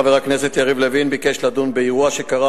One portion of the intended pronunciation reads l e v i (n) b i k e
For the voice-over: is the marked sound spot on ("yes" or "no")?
yes